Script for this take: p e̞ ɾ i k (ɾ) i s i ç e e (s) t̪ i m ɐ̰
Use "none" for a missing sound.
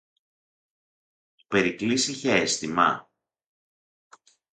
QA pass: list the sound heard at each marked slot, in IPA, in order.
l, s

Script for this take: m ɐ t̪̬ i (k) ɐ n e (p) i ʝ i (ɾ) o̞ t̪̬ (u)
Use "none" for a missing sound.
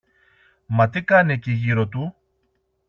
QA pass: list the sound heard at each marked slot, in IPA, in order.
k, c, ɾ, u

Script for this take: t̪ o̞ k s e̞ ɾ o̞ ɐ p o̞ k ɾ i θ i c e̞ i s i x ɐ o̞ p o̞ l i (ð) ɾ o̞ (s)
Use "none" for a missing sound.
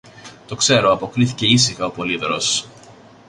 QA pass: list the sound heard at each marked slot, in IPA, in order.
ð, s

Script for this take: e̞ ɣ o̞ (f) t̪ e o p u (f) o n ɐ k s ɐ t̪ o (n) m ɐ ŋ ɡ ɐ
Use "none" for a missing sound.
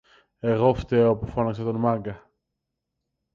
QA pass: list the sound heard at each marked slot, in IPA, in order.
f, f, n

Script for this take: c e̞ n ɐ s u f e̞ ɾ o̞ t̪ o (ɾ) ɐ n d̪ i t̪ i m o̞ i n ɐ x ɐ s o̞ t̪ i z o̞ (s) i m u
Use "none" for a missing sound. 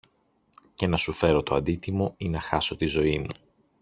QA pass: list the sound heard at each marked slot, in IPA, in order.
none, none

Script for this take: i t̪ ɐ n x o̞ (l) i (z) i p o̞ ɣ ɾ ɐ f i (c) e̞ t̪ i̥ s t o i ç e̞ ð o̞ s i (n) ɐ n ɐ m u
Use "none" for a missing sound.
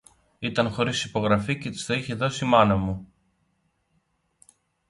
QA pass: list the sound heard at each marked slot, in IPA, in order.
ɾ, s, c, m

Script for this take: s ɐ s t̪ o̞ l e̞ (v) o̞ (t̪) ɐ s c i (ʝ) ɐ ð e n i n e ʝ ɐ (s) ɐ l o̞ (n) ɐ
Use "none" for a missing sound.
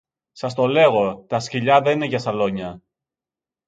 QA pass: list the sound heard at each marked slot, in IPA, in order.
ɣ, t̪, ʎ, s, ɲ

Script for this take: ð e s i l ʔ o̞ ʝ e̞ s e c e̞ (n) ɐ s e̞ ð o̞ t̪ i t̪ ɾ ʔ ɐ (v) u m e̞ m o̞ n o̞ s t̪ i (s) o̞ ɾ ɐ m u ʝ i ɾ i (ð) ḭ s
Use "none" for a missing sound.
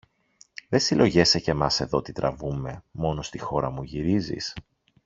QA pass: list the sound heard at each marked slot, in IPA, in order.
m, v, x, z

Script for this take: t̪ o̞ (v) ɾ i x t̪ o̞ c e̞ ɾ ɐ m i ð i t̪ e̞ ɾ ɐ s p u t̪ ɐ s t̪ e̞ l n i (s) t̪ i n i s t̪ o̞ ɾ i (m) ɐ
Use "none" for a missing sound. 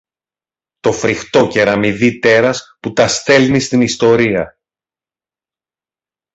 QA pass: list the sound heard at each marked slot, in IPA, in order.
f, s, none

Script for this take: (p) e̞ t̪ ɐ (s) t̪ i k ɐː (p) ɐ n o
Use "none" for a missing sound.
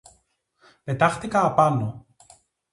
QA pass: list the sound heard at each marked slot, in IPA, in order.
p, x, p

